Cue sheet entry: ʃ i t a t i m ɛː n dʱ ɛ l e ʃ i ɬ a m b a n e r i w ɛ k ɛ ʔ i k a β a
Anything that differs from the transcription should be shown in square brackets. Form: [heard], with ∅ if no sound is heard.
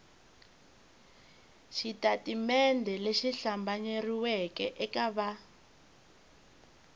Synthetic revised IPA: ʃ i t a t i m [ɛ] n dʱ ɛ l e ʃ i ɬ a m b a [ɲ] e r i w ɛ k ɛ ʔ [ɛ] k a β a